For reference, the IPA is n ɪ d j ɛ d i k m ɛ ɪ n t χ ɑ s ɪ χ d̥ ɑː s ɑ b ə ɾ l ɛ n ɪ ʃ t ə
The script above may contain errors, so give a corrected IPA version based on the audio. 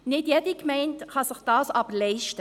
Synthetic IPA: n ɪ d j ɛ d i k m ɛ ɪ n t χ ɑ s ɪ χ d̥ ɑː s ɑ b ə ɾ l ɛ ɪ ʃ t ə